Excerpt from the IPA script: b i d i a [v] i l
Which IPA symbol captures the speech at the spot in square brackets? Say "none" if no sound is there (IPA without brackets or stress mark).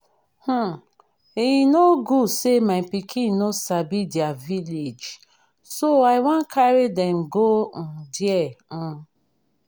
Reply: v